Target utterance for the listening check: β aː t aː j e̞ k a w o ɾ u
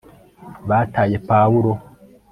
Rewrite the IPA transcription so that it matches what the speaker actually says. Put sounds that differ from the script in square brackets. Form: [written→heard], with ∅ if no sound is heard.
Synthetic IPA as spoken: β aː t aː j e̞ [k→p] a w [o→u] ɾ [u→o]